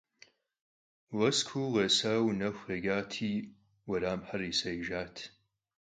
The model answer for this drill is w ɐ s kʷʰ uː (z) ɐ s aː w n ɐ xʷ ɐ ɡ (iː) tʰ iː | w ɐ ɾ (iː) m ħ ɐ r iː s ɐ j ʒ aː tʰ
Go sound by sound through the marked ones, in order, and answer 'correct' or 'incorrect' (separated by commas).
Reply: incorrect, incorrect, incorrect